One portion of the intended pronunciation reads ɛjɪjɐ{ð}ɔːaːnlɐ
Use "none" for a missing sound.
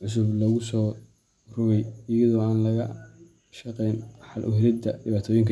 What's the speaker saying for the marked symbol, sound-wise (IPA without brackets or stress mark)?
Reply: ð